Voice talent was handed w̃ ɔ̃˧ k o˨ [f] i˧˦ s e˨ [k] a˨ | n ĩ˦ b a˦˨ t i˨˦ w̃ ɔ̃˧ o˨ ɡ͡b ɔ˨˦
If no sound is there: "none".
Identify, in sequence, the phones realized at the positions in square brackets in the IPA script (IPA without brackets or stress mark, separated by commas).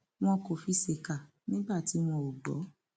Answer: f, k